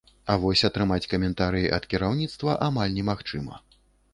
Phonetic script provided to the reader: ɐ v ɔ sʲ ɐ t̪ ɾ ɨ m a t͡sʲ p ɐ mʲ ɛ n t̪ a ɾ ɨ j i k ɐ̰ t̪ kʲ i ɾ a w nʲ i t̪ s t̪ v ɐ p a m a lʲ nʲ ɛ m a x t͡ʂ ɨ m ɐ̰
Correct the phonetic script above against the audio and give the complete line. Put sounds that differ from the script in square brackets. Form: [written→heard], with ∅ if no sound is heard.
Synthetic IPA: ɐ v ɔ sʲ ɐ t̪ ɾ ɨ m a t͡sʲ [p→k] ɐ mʲ ɛ n t̪ a ɾ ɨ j i [k→ʔ] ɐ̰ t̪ kʲ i ɾ a w nʲ i t̪ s t̪ v ɐ [p→ʔ] a m a lʲ nʲ ɛ m a x t͡ʂ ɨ m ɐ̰